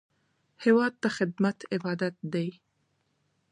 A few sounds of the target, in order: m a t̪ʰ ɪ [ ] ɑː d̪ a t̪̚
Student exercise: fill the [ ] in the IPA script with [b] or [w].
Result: b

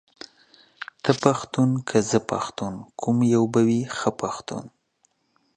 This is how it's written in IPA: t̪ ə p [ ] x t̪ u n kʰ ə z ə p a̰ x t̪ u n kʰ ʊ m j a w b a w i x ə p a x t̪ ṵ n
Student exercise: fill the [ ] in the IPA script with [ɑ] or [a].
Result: a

